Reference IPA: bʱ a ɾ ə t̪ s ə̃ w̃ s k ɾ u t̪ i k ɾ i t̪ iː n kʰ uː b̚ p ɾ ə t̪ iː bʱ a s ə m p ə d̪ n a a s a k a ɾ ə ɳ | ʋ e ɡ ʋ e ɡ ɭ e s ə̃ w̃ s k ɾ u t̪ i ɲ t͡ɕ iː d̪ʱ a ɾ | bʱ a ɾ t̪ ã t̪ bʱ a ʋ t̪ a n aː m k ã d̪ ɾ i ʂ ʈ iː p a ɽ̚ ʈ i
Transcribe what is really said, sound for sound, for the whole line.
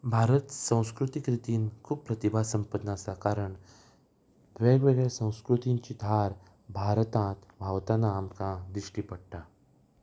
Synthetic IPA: bʱ a ɾ ə t̪ s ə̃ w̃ s k ɾ u t̪ i k ɾ i t̪ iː n kʰ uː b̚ p ɾ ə t̪ i bʱ a s ə m p ə d̪ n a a s a k a ɾ ə ɳ | ʋ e ɡ ʋ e ɡ ɭ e s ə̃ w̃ s k ɾ u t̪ i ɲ t͡ɕ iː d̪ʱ a ɾ | bʱ a ɾ t̪ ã t̪ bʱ a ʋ t̪ a n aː m k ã d̪ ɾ i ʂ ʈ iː p ə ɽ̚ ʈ a